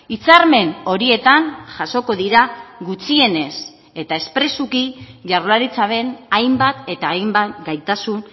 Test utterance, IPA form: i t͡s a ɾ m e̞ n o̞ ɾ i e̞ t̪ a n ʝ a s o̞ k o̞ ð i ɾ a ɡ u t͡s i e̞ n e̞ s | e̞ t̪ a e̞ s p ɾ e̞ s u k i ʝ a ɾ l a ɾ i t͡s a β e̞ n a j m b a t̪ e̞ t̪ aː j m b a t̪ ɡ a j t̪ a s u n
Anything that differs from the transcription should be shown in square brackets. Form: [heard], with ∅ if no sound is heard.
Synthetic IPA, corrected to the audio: i t͡s a ɾ m e̞ n o̞ ɾ i e̞ t̪ a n ʝ a s o̞ k o̞ ð i ɾ a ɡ u t͡s i e̞ n e̞ s | e̞ t̪ a e̞ s p ɾ e̞ s u k i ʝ a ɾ l a ɾ i t͡s a β e̞ n a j m b a t̪ e̞ t̪ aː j m b a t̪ ɡ a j t̪ a s u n